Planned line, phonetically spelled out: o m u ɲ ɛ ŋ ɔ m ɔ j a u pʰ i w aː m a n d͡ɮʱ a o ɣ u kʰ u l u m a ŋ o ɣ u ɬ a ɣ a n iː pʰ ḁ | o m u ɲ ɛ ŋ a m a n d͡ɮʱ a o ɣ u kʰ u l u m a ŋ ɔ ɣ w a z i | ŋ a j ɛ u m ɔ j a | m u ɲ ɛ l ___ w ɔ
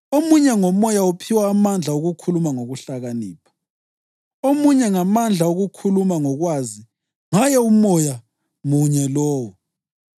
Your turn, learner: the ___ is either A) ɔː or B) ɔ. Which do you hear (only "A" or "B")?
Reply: A